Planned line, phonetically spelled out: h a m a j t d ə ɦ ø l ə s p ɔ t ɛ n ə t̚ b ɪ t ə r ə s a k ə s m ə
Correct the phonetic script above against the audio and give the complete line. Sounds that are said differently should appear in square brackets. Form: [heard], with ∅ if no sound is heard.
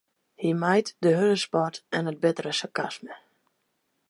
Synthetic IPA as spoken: h [i] m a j t d ə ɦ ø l ə s p ɔ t ɛ n ə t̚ b ɪ t ə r ə s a k [a] s m ə